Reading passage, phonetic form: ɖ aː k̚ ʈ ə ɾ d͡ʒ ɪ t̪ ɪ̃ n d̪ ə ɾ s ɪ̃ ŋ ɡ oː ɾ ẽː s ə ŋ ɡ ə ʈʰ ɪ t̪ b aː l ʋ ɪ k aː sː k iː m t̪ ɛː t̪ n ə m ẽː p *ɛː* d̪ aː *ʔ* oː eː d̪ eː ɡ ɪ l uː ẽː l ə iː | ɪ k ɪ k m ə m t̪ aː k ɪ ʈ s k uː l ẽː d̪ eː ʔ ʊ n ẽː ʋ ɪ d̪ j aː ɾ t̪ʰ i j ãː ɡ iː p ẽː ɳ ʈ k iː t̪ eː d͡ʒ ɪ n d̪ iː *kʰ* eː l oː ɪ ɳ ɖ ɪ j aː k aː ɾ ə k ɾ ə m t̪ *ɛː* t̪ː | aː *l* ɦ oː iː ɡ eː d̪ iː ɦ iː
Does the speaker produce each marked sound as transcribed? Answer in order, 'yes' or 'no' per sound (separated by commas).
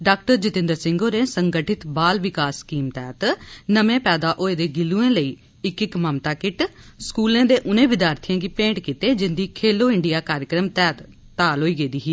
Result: yes, yes, yes, yes, yes